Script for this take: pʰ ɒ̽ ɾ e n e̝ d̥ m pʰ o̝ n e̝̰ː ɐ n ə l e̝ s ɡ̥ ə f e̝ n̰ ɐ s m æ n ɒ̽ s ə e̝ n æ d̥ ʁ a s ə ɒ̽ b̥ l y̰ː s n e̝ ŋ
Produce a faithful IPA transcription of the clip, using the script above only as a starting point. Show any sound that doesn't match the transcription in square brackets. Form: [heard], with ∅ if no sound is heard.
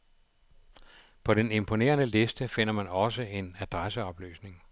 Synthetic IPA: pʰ ɒ̽ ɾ e n e̝ [∅] m pʰ o̝ n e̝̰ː ɐ n ə l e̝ s [d̥] ə f e̝ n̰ ɐ [∅] m æ n ɒ̽ s ə e̝ n æ d̥ ʁ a s ə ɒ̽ b̥ l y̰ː s n e̝ ŋ